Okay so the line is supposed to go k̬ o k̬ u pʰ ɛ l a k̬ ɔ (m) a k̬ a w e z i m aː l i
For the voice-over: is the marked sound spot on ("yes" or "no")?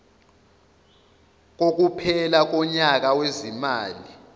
no